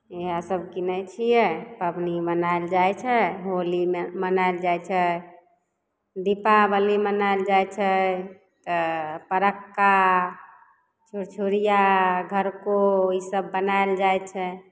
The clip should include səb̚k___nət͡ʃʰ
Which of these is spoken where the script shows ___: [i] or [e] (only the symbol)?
i